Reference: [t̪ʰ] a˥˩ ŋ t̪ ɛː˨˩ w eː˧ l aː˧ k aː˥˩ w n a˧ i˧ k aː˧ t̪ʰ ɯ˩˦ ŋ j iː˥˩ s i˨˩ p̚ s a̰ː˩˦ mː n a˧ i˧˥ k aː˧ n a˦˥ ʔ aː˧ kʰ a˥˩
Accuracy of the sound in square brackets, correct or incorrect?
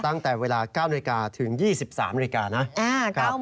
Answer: incorrect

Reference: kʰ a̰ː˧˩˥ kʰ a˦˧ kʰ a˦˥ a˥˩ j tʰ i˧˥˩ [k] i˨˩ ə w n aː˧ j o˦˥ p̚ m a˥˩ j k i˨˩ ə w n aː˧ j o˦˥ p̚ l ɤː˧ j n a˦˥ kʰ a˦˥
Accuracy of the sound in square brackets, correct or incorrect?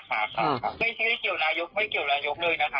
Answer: correct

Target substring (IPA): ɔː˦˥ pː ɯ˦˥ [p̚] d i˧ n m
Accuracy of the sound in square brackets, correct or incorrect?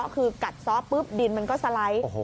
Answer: correct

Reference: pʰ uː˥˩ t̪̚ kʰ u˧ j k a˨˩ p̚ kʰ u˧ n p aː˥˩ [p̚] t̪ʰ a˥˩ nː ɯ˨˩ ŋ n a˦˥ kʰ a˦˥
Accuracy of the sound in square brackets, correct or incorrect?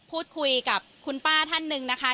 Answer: incorrect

